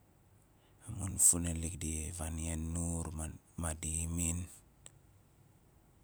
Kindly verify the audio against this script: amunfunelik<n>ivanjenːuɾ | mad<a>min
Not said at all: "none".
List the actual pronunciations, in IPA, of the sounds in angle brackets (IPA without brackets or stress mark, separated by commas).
d, i